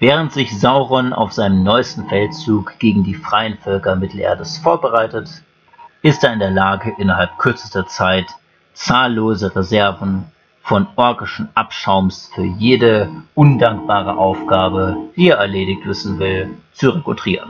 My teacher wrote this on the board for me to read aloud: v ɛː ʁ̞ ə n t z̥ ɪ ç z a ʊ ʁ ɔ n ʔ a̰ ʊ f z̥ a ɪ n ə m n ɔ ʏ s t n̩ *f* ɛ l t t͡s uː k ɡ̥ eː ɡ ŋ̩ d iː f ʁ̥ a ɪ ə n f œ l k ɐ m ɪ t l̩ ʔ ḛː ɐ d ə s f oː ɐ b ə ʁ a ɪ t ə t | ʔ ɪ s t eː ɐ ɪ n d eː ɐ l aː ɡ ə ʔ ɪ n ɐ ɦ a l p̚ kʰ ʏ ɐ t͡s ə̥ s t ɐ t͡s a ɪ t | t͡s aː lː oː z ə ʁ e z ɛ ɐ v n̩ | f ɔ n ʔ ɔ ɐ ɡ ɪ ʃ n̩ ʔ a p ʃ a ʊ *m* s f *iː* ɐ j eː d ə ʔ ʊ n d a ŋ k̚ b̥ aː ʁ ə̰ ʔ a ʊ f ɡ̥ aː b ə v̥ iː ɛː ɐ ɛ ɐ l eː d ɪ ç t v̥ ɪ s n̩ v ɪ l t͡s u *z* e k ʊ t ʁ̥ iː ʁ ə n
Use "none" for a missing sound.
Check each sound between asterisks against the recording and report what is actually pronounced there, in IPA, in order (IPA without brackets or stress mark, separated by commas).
f, m, yː, ʁ